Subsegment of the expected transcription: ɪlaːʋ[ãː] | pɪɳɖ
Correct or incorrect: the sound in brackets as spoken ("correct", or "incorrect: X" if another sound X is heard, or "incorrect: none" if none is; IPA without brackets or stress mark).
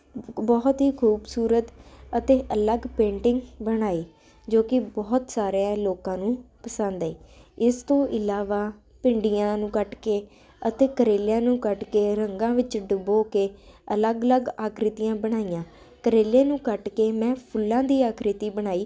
incorrect: aː